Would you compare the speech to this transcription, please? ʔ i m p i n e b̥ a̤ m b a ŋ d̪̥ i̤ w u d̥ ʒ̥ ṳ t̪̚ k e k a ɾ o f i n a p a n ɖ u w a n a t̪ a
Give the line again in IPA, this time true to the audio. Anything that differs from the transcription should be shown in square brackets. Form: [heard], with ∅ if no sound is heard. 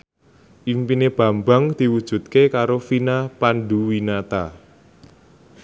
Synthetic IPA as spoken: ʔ i m p i n e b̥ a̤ m b a ŋ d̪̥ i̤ w u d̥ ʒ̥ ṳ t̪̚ k e k a ɾ o f i n a p a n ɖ u w [i] n a t̪ a